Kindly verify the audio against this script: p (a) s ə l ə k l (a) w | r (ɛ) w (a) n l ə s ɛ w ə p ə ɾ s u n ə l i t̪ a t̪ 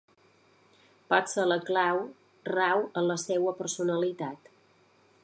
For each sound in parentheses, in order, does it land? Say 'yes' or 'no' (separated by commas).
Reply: yes, yes, no, no